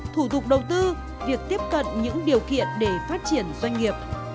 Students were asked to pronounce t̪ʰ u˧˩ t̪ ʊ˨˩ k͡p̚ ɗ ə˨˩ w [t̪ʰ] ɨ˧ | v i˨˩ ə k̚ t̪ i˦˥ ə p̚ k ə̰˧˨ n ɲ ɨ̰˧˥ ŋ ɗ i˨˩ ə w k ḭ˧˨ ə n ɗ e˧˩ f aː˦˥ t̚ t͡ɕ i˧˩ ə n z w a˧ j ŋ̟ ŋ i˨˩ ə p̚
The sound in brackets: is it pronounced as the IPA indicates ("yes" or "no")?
no